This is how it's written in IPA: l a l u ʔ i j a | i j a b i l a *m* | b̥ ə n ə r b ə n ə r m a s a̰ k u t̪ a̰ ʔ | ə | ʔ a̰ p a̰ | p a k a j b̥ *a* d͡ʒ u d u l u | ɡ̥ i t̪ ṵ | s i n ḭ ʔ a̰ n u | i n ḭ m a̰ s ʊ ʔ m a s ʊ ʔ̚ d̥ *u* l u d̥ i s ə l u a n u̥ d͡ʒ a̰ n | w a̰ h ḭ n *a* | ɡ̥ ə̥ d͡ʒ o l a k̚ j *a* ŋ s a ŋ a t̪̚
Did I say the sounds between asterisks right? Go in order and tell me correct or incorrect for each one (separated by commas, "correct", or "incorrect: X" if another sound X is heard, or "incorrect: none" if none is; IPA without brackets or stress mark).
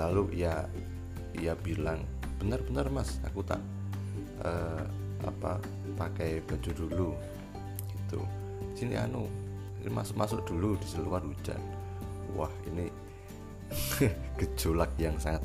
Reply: incorrect: ŋ, correct, correct, incorrect: i, correct